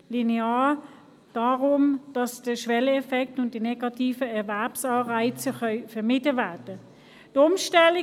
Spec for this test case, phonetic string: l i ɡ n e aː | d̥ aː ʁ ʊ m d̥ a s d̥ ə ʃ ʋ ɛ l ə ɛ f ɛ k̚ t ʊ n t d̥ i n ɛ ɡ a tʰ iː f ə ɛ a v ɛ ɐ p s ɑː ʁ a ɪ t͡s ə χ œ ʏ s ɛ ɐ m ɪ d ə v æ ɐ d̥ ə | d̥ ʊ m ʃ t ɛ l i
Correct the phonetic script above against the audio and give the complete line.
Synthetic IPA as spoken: l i n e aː | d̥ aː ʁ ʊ m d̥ ɑ s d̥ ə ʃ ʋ ɛ l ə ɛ f ɛ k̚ t ʊ n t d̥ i n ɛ ɡ ɑ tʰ iː f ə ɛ ɐ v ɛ ɐ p s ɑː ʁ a ɪ t͡s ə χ œ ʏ f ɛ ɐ m ɪ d ə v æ ɐ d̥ ə | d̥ ʊ m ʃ t ɛ l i